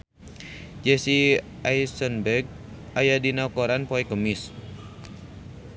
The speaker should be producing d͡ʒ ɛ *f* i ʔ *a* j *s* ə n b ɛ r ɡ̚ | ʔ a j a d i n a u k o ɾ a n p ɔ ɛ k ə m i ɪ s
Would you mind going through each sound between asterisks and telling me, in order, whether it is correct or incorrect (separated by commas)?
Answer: incorrect, correct, correct